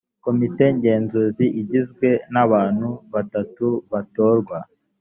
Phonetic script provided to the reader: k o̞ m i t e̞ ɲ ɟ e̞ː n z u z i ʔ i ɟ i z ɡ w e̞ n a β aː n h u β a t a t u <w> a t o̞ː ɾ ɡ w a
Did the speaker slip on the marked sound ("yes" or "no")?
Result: yes